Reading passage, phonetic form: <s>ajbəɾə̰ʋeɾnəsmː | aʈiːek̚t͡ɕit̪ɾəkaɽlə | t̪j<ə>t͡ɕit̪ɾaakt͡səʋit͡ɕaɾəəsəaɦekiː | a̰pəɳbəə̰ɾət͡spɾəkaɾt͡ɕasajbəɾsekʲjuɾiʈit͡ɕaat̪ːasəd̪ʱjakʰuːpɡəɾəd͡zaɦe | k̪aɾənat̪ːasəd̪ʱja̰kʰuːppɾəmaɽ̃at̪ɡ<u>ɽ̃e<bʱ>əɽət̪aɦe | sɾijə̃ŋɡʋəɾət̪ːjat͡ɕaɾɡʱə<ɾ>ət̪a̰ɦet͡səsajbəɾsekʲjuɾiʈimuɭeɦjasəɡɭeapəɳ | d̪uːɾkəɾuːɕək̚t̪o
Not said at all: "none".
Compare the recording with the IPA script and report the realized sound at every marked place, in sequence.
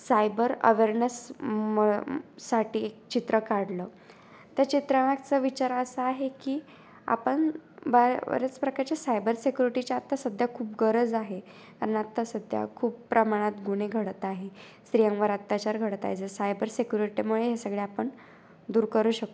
s, a, u, ɡʱ, ɽ

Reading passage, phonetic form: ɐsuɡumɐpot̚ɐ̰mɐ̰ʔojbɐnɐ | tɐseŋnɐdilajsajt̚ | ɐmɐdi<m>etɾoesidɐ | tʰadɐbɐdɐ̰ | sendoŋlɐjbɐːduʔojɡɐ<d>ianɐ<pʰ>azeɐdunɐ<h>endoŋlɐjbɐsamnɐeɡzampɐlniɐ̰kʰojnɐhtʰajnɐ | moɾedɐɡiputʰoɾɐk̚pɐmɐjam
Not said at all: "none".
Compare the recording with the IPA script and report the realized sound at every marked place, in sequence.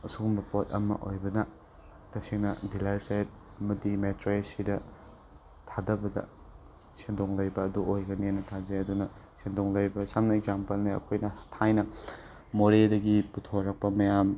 m, n, tʰ, s

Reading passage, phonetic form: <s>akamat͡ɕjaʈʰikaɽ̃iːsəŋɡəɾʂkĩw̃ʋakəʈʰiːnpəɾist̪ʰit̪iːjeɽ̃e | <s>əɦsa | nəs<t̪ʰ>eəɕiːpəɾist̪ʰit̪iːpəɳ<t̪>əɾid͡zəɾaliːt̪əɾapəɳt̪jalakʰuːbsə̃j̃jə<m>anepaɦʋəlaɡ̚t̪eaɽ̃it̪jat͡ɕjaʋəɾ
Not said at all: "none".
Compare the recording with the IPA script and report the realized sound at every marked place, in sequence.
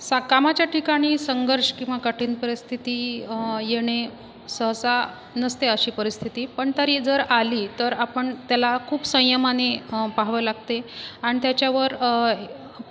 s, s, t̪, t̪, m

